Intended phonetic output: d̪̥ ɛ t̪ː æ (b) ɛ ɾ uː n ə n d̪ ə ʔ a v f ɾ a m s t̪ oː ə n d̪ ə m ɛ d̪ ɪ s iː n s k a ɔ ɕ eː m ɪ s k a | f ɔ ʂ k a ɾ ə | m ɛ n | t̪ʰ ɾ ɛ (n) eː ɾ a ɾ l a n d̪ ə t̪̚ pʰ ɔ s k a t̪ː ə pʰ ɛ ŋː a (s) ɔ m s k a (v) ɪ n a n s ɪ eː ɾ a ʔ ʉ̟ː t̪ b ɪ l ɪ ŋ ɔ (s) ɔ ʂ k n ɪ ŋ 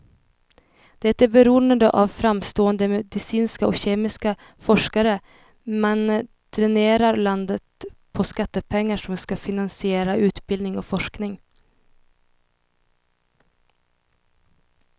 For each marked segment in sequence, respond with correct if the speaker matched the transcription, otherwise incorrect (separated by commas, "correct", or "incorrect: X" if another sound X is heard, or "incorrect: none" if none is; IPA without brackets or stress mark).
correct, correct, incorrect: ʂ, incorrect: f, incorrect: f